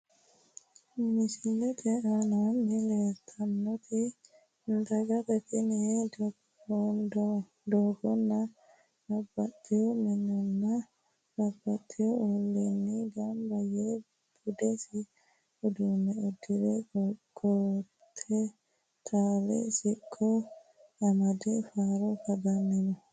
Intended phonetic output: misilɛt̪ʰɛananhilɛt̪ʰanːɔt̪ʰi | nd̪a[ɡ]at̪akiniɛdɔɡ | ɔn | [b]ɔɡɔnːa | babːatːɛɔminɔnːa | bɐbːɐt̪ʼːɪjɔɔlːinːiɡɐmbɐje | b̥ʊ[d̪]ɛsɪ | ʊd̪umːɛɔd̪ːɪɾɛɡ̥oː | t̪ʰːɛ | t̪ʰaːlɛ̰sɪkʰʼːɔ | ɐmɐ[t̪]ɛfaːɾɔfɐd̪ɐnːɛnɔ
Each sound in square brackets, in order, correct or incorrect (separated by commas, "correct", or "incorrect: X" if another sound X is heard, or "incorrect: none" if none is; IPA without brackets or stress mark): correct, incorrect: d, correct, incorrect: d̪